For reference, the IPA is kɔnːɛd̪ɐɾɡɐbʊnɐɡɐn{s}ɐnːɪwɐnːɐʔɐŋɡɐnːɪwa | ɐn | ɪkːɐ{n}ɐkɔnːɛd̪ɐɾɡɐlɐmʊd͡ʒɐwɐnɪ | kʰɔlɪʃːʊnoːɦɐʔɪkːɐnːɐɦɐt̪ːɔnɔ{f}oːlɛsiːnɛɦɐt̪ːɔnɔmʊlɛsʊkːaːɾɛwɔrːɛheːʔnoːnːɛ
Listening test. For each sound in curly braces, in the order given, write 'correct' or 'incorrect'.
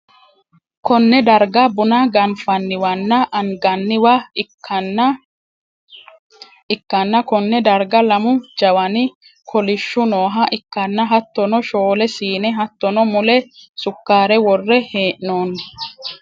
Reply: incorrect, incorrect, incorrect

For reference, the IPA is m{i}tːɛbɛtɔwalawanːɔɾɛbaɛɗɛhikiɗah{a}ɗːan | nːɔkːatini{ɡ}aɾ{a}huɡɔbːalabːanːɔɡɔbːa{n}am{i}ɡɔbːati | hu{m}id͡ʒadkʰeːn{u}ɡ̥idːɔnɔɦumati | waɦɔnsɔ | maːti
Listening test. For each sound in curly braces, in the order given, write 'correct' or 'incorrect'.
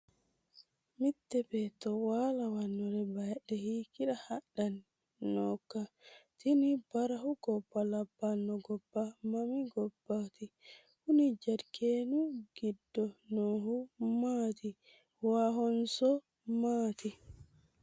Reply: correct, correct, incorrect, correct, incorrect, correct, incorrect, correct

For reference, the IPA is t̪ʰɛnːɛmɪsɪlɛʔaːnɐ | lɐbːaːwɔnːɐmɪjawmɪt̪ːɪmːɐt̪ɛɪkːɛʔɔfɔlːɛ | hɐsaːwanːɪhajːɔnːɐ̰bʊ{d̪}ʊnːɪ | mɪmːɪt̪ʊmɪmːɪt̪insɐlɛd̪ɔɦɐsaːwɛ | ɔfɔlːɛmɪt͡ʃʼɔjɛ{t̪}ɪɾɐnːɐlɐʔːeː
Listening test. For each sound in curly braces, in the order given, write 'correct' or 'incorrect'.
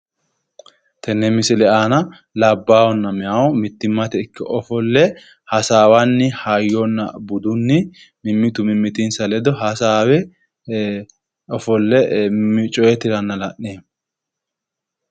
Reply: correct, correct

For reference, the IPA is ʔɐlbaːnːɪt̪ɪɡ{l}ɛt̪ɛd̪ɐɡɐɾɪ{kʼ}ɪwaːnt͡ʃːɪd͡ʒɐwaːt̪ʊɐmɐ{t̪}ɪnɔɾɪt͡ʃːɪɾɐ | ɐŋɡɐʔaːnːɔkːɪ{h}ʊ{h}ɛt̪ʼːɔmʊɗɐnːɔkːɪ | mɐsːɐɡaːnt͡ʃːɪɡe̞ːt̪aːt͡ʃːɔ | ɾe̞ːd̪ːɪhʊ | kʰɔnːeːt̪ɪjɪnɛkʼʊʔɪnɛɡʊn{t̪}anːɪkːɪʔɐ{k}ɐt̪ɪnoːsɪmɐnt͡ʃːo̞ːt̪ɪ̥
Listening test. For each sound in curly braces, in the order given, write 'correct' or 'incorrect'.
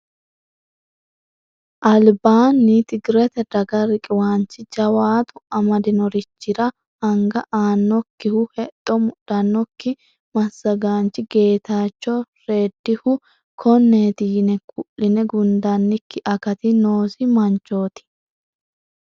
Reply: incorrect, correct, incorrect, correct, correct, incorrect, correct

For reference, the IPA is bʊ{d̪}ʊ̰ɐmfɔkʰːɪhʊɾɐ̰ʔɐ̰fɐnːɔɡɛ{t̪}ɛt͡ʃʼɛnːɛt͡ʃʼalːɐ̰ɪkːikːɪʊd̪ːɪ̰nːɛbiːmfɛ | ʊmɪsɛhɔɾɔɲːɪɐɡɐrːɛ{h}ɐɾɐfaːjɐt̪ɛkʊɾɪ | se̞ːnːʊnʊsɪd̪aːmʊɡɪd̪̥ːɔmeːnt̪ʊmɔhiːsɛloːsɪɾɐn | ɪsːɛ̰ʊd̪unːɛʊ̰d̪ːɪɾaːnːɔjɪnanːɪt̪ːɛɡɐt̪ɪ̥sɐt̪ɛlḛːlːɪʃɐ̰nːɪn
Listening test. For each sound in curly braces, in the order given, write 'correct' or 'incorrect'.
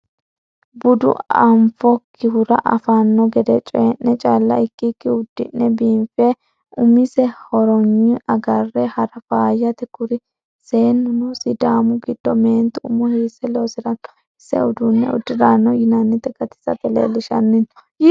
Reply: correct, incorrect, correct

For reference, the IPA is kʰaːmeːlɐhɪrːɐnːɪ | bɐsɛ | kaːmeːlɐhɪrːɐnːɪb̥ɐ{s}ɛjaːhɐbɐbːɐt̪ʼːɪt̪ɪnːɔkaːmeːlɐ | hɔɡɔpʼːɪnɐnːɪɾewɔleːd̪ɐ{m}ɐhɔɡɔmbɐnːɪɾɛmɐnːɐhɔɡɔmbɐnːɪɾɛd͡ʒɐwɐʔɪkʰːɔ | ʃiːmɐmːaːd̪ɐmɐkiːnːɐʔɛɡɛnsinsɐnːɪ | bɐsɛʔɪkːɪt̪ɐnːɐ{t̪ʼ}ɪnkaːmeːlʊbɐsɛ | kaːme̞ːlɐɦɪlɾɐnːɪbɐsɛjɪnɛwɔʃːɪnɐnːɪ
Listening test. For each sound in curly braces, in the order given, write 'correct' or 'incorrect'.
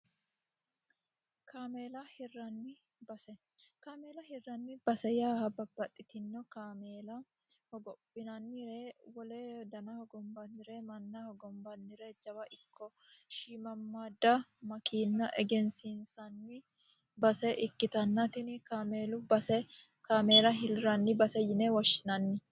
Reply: correct, incorrect, incorrect

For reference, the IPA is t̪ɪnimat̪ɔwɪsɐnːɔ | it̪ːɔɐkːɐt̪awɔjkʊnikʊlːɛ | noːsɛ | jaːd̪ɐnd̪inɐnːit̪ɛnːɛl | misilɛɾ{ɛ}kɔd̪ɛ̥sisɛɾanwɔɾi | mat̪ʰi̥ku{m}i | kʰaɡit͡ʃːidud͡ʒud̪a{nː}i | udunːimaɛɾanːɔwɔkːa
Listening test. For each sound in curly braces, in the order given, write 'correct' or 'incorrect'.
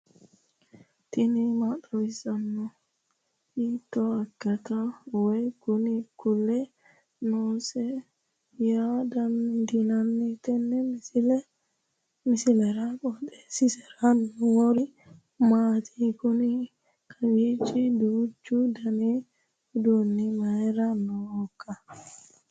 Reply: incorrect, incorrect, incorrect

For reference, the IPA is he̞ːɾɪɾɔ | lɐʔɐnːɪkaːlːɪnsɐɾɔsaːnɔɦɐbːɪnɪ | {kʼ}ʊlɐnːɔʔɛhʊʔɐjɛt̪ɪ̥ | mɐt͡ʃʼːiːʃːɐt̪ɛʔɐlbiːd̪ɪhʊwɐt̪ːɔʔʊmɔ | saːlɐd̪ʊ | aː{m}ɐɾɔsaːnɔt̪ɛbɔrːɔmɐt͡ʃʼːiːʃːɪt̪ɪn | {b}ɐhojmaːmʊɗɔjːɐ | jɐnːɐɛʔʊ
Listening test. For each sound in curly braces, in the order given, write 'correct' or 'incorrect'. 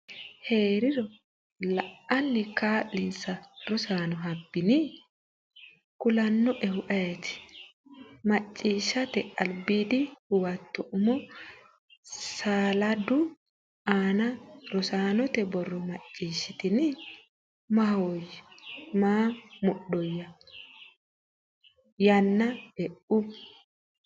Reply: incorrect, incorrect, incorrect

